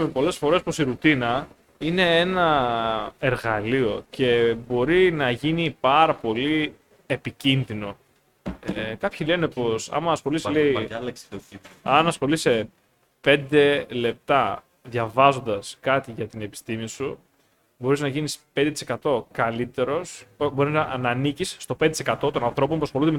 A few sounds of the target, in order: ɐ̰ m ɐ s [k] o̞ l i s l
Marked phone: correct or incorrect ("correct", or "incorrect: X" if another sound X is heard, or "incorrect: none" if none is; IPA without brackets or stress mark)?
incorrect: x